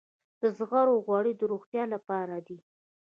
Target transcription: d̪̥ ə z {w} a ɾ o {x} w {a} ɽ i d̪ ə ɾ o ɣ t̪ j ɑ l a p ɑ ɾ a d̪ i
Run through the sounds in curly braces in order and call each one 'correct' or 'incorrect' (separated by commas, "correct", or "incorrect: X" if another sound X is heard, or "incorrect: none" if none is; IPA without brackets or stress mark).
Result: incorrect: ɣ, incorrect: ɣ, incorrect: ɑ